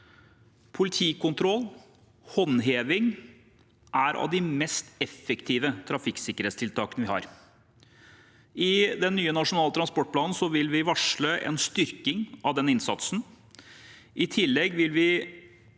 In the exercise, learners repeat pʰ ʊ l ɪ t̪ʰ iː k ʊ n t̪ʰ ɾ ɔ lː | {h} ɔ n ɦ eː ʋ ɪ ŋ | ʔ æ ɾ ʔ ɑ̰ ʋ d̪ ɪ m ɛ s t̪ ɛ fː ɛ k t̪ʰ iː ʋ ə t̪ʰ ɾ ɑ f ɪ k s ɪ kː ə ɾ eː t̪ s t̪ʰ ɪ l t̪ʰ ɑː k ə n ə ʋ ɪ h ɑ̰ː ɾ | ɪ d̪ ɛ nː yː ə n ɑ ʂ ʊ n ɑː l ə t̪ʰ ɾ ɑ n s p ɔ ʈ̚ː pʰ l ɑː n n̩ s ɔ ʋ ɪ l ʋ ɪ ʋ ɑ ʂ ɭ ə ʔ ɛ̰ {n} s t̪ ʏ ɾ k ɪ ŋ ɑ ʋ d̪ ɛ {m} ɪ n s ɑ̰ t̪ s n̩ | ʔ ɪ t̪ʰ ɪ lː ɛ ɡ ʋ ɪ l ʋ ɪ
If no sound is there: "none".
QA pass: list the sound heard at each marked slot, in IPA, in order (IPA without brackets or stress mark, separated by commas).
h, n, n